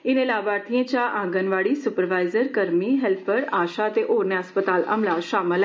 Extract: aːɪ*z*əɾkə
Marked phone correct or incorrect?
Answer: correct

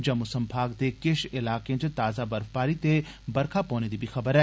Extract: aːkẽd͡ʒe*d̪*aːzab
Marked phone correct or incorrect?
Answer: incorrect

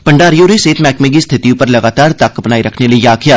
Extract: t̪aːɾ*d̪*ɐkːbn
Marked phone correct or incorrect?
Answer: incorrect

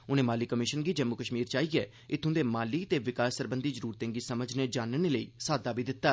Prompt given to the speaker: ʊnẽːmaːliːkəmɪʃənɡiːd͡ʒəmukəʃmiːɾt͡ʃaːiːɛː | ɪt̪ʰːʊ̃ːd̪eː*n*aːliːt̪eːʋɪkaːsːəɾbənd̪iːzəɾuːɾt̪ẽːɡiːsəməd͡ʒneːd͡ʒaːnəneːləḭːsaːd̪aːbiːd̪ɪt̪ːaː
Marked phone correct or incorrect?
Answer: incorrect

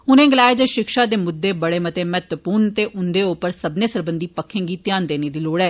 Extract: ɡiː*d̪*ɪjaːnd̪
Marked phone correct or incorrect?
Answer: incorrect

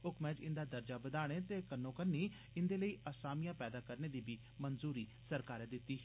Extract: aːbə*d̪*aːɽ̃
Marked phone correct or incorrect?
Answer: correct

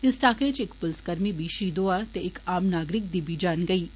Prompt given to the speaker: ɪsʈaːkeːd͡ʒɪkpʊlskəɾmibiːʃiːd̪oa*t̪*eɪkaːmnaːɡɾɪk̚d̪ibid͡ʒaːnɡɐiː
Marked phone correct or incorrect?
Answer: correct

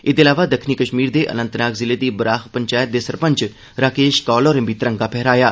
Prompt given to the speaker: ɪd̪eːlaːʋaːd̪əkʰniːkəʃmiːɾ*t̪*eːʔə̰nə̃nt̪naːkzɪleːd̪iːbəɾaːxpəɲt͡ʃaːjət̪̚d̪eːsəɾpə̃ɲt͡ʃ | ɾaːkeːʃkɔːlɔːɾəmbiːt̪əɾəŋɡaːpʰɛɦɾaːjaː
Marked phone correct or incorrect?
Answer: incorrect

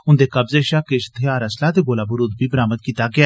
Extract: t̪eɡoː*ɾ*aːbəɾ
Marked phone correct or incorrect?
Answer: incorrect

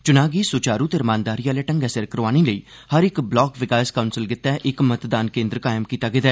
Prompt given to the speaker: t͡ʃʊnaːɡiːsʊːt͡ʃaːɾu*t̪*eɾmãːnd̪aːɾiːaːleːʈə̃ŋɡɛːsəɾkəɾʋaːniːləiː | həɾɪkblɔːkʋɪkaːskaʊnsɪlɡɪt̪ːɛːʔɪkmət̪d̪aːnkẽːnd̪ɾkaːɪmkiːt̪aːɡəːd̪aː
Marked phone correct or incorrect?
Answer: correct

